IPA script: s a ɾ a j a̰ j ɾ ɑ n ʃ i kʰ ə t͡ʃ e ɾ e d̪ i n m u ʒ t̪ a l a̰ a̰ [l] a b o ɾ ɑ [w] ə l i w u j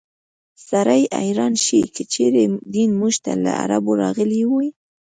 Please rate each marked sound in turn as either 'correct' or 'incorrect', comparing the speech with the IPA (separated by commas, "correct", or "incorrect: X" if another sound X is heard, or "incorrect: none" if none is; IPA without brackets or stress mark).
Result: incorrect: ɾ, incorrect: ɣ